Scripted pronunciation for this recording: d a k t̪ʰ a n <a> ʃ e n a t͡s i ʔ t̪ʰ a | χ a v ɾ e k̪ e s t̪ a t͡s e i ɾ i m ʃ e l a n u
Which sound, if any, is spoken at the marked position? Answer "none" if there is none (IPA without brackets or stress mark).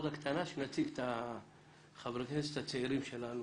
a